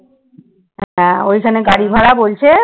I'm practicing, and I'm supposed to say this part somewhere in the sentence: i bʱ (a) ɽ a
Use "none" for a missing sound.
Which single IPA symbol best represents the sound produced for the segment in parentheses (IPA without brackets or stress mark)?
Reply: a